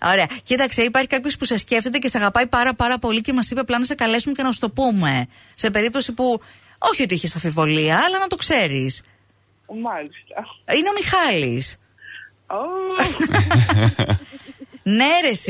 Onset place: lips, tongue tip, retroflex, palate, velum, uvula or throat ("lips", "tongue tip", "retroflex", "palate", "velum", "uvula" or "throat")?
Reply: tongue tip